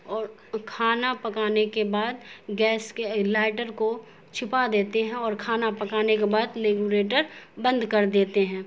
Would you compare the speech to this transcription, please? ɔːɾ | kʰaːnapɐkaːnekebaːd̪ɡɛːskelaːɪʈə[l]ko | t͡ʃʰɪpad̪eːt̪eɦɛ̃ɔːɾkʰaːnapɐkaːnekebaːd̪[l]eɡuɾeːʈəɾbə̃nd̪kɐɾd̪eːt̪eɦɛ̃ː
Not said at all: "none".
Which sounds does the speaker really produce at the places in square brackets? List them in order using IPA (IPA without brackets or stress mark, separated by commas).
ɾ, l